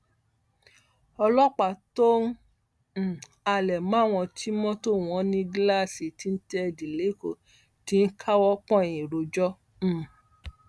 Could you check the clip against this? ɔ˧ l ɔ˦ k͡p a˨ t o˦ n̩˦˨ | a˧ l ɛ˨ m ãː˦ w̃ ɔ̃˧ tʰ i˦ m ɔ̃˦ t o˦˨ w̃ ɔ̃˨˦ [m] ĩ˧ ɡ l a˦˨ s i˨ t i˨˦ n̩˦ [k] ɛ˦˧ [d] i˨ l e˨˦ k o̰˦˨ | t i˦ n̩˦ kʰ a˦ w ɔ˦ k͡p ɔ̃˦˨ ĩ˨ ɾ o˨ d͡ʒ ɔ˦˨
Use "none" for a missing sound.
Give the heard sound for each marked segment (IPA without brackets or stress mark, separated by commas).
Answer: n, t, d